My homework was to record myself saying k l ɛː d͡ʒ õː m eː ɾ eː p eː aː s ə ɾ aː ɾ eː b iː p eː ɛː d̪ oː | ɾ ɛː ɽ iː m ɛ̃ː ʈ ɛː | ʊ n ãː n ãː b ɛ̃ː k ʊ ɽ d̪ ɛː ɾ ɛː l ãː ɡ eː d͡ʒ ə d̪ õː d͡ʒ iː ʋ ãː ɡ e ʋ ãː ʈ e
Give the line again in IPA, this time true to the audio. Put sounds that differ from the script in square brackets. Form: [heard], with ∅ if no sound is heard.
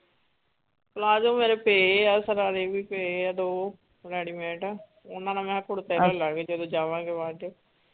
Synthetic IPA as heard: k l [aː] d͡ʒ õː m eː ɾ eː p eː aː s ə ɾ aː ɾ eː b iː p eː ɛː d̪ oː | ɾ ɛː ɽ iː m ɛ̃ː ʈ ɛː | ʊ n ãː n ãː [m] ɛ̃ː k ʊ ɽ [t̪] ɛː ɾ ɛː l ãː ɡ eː d͡ʒ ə d̪ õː d͡ʒ [aː] ʋ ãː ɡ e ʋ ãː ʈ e